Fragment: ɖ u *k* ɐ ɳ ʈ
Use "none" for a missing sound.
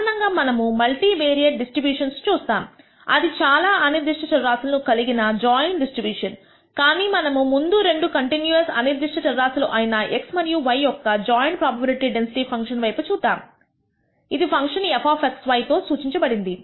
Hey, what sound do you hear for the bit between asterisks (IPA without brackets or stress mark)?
k